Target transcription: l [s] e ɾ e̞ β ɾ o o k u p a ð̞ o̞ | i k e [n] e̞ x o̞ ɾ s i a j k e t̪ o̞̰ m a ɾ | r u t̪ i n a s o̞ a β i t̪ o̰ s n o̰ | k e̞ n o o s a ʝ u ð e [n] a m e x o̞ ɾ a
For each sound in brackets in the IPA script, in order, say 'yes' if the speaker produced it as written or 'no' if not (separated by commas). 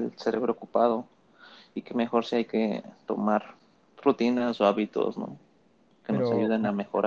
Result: yes, no, yes